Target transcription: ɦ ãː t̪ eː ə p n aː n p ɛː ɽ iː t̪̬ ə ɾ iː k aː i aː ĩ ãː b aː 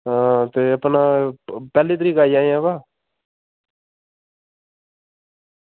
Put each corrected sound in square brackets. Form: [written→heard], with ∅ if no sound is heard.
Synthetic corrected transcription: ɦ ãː t̪ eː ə p n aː [n→∅] p ɛː [ɽ→l] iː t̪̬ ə ɾ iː k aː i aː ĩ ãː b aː